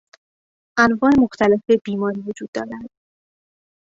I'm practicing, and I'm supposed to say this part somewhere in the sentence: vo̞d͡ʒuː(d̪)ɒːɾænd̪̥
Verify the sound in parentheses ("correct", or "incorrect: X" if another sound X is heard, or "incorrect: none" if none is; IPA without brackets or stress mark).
incorrect: d̪ː